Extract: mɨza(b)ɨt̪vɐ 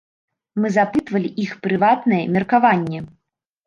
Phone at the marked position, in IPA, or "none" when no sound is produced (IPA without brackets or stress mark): p